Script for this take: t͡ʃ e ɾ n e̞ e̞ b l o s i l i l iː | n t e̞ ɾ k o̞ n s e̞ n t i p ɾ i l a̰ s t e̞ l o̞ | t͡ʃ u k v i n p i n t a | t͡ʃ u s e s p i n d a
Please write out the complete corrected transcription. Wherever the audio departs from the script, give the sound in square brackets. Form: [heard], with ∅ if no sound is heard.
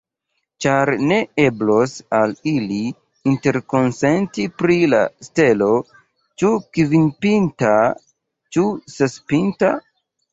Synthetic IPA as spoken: t͡ʃ [a] ɾ n e̞ e̞ b l o s [a] l i l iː | n t e̞ ɾ k o̞ n s e̞ n t i p ɾ i l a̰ s t e̞ l o̞ | t͡ʃ u k v i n p i n t a | t͡ʃ u s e s p i n [t] a